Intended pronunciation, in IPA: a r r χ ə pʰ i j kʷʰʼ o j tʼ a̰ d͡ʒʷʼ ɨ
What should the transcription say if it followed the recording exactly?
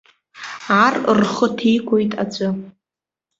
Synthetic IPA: a r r χ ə tʰ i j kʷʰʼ o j tʼ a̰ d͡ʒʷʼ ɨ